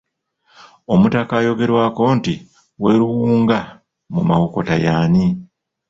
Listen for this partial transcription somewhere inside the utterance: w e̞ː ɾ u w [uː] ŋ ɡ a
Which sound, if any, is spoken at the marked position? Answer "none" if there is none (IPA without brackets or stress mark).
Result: uː